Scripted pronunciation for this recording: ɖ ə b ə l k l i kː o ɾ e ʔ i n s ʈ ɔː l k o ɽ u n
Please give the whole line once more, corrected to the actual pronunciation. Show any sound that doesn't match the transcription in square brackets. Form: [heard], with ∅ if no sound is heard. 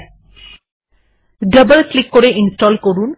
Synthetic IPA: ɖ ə b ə l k l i kː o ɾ e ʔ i n s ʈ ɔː l k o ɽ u n